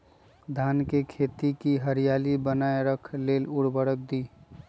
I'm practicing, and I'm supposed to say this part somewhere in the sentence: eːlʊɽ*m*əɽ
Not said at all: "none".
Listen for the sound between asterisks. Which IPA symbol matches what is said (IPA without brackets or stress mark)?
b